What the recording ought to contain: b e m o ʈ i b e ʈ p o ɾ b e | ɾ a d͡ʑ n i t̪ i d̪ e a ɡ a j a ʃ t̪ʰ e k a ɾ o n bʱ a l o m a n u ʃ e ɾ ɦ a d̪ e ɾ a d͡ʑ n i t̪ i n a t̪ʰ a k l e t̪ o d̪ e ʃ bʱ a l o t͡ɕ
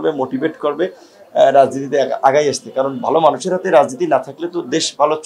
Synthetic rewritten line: b e m o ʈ i b e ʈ k o ɾ b e | ɾ a d͡ʑ n i t̪ i t̪ e a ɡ a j a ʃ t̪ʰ e k a ɾ o n bʱ a l o m a n u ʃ e ɾ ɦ a t̪ e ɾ a d͡ʑ n i t̪ i n a t̪ʰ a k l e t̪ o d̪ e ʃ bʱ a l o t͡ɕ

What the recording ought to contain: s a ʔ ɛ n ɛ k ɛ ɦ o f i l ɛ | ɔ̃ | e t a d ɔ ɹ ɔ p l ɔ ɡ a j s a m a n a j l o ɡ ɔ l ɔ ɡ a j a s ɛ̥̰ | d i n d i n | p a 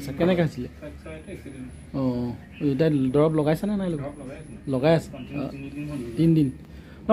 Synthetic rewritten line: s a k ɛ n ɛ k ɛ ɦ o s i l ɛ | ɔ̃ | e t a d ɔ ɹ ɔ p l ɔ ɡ a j s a n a n a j l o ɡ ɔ l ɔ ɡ a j a s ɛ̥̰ | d i n d i n | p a

